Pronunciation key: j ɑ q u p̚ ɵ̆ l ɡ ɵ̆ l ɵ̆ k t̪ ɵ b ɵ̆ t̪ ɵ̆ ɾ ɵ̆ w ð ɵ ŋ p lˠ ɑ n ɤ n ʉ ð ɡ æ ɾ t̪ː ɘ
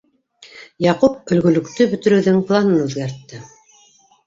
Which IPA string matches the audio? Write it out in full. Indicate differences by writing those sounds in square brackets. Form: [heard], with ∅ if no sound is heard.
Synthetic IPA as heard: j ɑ q u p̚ ɵ̆ l ɡ ɵ̆ l ɵ̆ k t̪ ɵ b ɵ̆ t̪ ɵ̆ ɾ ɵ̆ w ð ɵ ŋ p lˠ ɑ n ɤ n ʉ ð ɡ æ ɾ t̪ː ɘ